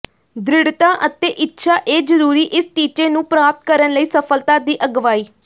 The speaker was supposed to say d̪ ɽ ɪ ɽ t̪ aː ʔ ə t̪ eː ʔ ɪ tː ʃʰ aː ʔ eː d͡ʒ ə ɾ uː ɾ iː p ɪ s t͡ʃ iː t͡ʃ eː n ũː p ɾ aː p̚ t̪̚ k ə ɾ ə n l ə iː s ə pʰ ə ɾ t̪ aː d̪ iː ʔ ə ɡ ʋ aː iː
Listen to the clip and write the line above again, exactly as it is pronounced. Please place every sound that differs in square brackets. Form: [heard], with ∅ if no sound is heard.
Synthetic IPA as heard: d̪ [ɾ] ɪ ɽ t̪ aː ʔ ə t̪ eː ʔ ɪ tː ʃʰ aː ʔ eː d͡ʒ ə ɾ uː ɾ iː [ʔ] ɪ s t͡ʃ iː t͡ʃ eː n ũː p ɾ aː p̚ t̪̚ k ə ɾ ə n l ə iː s ə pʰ ə [l] t̪ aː d̪ iː ʔ ə ɡ ʋ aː iː